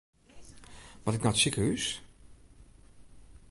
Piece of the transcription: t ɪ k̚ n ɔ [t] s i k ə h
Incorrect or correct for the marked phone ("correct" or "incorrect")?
correct